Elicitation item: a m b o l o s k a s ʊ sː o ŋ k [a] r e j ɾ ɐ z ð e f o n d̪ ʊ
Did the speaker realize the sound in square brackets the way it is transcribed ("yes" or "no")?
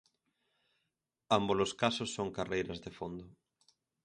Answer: yes